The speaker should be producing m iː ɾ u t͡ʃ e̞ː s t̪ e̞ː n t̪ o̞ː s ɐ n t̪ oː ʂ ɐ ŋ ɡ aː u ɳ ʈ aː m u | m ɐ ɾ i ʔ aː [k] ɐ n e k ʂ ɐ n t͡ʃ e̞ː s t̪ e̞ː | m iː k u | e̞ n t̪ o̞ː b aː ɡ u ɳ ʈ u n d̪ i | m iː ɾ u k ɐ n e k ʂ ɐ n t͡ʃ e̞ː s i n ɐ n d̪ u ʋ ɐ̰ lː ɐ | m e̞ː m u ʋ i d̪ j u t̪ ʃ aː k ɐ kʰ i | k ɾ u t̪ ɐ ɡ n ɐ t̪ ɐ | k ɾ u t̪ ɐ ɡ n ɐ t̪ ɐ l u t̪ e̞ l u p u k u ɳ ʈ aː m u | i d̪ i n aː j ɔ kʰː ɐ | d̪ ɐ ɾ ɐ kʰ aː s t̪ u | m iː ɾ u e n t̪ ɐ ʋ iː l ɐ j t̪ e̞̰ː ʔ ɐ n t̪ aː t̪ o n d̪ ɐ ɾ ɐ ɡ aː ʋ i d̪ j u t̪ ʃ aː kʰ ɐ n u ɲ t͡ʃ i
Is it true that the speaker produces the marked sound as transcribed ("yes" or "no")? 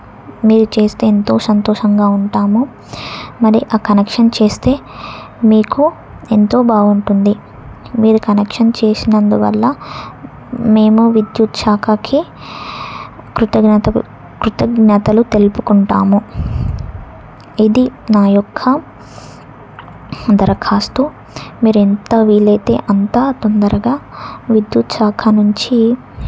yes